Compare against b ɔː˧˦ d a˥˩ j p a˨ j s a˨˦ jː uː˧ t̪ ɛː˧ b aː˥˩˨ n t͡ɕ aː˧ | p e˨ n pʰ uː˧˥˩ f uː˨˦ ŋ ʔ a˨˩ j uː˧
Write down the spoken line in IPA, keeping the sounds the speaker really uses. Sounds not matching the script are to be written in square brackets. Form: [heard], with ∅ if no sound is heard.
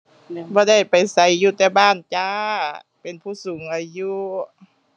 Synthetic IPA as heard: b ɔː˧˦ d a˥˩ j p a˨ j s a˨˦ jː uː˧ t̪ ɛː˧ b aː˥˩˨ n t͡ɕ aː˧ | p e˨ n pʰ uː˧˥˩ [s] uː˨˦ ŋ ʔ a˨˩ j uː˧